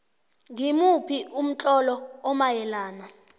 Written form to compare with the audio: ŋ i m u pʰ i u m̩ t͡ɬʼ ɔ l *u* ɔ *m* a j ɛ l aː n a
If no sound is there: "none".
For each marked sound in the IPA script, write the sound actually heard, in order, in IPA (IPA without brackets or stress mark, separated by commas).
ɔ, m